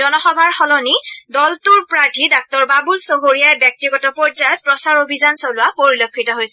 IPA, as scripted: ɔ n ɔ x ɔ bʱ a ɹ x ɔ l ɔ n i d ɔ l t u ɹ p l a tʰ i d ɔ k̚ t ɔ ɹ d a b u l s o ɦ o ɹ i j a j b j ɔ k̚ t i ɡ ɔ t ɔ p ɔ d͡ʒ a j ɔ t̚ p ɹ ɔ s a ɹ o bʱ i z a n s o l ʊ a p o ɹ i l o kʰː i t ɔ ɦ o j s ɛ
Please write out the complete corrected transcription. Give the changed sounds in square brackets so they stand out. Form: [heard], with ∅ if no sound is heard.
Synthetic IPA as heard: ɔ n ɔ x ɔ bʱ a ɹ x ɔ l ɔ n i d ɔ l t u ɹ p [ɹ] a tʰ i d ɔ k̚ t ɔ ɹ [b] a b u l s o ɦ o ɹ i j a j b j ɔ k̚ t i ɡ ɔ t ɔ p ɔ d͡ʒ a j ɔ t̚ p ɹ ɔ s a ɹ o bʱ i z a n s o l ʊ a p o ɹ i l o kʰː i t ɔ ɦ o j s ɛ